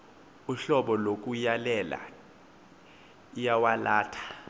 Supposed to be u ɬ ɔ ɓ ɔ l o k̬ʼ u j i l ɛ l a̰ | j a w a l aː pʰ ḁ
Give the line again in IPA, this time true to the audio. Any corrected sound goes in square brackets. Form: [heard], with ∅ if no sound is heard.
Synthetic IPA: u ɬ ɔ ɓ ɔ l o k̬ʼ u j [a] l ɛ l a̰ | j a w a l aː [tʰ] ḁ